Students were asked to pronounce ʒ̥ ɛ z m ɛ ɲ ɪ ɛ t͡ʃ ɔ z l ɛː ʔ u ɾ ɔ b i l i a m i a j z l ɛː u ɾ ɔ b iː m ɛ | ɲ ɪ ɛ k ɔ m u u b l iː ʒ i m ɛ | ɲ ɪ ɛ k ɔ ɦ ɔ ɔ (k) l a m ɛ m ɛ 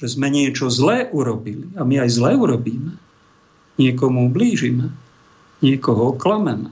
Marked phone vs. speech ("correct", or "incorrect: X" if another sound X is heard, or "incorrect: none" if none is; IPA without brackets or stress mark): correct